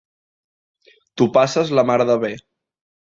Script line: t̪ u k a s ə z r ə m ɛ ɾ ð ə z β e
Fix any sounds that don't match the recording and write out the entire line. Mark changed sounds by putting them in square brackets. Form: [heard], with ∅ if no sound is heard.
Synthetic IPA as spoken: t̪ u [p] a s ə z [l] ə m [a] ɾ ð ə [∅] β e